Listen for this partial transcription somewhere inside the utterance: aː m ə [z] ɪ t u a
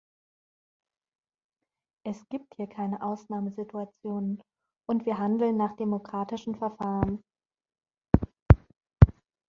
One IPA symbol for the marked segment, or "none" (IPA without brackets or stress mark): z